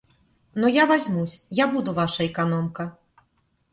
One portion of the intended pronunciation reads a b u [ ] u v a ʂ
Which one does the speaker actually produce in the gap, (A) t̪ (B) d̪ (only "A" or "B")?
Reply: B